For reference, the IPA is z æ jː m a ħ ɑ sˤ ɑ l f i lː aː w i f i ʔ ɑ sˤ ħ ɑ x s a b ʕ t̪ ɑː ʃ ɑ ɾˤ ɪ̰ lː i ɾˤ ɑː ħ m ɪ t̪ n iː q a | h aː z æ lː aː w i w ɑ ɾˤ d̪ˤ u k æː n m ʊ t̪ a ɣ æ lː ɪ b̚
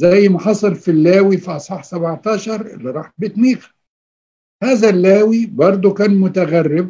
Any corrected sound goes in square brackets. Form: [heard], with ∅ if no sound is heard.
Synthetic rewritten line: z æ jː m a ħ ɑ sˤ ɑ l f i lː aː w i f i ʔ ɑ sˤ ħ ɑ [ħ] s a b ʕ t̪ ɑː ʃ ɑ ɾˤ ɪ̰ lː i ɾˤ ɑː ħ [b] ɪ t̪ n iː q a | h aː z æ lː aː w i [b] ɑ ɾˤ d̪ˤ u k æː n m ʊ t̪ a ɣ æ [rː] ɪ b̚